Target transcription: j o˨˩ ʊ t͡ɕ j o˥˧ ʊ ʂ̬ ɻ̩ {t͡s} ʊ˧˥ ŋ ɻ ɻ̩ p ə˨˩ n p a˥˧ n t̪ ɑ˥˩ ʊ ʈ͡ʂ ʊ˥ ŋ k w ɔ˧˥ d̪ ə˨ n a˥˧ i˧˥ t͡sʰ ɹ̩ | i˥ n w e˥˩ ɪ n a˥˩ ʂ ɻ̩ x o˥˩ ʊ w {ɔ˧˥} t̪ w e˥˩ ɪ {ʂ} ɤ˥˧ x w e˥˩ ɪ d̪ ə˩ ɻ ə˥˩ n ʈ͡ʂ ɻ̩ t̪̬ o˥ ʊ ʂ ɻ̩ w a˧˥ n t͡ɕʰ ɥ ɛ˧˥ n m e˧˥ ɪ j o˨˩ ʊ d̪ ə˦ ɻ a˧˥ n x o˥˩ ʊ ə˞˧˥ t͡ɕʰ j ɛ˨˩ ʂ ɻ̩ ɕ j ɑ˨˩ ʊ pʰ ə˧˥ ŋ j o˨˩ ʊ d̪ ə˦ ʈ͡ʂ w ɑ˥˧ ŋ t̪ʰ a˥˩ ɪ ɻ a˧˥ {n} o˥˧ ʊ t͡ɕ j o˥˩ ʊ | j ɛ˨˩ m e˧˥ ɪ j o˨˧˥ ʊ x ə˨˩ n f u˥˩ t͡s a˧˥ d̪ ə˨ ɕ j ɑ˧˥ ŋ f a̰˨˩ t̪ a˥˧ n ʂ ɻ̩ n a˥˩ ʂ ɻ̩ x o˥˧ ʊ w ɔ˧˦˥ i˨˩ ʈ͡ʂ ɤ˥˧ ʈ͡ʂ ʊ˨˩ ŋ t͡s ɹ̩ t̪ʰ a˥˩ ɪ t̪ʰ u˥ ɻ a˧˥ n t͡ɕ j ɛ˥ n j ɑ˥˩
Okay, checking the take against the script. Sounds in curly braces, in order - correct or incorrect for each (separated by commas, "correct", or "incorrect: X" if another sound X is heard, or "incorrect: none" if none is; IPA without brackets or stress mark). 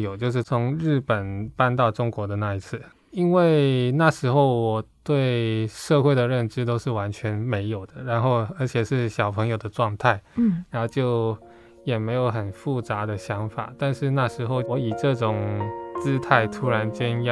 incorrect: t͡sʰ, incorrect: ɔ˨˩, correct, correct